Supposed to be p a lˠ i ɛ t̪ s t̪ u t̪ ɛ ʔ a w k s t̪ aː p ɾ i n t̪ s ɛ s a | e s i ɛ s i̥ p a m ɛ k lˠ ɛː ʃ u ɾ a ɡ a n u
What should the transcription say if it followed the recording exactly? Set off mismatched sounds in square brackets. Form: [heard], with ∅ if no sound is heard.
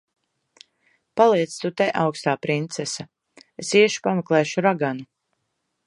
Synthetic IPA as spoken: p a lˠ i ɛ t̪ s t̪ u t̪ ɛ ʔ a w k s t̪ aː p ɾ i n t̪ s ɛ s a | e s i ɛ [ʃ] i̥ p a m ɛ k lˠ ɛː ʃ u ɾ a ɡ a n u